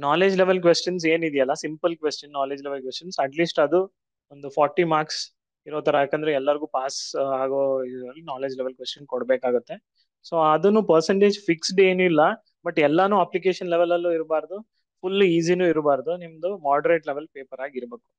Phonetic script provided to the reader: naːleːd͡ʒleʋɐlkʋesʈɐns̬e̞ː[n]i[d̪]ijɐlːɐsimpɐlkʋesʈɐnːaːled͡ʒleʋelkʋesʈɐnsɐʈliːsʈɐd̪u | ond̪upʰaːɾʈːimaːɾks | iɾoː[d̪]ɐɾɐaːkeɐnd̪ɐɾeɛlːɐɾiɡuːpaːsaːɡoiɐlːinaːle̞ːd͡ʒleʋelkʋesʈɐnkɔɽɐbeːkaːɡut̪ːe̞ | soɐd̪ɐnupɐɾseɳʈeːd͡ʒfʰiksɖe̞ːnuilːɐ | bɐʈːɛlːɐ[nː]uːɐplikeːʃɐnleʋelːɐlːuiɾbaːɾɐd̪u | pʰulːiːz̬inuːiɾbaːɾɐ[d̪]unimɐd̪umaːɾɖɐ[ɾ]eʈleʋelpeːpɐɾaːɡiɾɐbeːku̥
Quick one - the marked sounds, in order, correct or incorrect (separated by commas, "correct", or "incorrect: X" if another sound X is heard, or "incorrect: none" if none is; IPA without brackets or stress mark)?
correct, correct, incorrect: t̪, incorrect: n, correct, correct